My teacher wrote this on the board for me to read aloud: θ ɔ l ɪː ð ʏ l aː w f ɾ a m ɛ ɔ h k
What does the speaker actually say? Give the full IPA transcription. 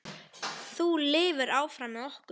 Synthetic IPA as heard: θ u l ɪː v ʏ ɾ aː w f ɾ a m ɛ ɔ h k